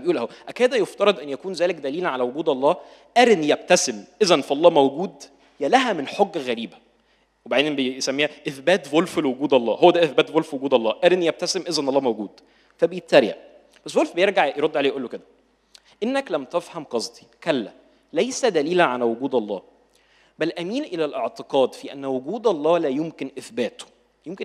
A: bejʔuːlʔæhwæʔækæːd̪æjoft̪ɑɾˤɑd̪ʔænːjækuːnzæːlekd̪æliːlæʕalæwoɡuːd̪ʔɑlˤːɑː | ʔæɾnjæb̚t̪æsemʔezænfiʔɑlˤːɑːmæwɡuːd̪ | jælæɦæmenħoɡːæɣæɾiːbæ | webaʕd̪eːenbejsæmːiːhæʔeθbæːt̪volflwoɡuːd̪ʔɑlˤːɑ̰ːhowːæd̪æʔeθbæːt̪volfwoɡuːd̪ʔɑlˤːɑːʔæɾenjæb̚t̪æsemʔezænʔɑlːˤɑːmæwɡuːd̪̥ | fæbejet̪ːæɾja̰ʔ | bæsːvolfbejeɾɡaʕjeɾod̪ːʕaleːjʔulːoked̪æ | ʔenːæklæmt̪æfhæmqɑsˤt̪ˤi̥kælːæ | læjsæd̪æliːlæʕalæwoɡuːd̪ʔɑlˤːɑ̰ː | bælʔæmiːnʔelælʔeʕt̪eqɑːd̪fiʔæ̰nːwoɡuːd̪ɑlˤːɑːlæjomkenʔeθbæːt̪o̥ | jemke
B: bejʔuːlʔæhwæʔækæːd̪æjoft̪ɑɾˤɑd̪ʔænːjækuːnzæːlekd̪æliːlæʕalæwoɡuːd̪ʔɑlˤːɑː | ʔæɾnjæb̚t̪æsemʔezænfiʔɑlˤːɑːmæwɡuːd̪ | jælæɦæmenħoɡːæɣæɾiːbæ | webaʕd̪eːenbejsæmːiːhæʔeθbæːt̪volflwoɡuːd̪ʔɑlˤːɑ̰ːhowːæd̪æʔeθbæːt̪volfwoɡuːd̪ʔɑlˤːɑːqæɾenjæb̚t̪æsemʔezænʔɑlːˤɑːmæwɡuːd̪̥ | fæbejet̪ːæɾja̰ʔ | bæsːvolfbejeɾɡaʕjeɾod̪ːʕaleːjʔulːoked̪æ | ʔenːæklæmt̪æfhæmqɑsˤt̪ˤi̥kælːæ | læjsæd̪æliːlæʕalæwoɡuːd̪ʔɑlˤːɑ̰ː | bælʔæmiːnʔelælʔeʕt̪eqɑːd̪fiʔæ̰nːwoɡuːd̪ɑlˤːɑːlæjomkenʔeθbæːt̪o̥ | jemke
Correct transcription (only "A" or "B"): A